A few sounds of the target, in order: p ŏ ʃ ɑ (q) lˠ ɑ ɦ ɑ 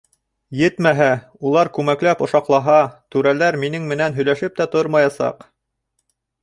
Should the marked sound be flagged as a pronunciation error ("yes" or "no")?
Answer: no